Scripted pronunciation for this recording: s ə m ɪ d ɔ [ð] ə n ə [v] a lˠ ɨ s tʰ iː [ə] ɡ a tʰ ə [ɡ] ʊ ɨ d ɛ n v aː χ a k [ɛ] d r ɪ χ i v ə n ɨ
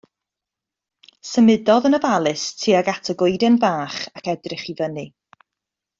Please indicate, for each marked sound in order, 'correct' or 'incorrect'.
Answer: correct, correct, incorrect: a, correct, correct

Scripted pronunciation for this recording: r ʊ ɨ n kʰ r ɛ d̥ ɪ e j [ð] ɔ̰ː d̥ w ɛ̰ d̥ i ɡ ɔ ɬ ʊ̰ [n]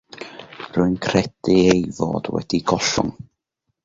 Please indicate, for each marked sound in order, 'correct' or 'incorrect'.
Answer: incorrect: v, incorrect: ŋ

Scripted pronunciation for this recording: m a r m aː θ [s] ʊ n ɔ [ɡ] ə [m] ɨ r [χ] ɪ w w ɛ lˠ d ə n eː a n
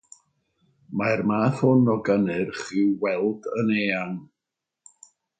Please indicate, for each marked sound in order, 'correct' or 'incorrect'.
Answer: incorrect: h, correct, incorrect: n, correct

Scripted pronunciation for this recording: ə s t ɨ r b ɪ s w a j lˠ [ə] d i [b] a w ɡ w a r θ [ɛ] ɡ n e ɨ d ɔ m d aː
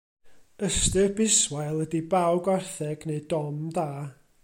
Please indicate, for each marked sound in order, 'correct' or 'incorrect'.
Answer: correct, correct, correct

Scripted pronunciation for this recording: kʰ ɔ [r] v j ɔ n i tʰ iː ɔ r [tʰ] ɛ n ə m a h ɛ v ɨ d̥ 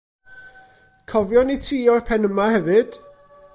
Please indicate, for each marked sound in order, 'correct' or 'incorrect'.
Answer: incorrect: none, incorrect: pʰ

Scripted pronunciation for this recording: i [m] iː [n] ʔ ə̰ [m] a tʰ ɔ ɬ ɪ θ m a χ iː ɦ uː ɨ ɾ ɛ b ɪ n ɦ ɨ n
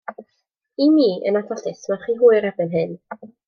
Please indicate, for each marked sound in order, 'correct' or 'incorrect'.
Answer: correct, incorrect: none, incorrect: n

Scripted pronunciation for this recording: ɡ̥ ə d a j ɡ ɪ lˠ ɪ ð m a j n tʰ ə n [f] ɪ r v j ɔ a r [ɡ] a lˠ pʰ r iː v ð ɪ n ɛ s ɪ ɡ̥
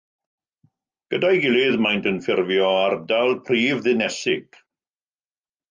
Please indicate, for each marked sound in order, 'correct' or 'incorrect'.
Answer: correct, incorrect: d

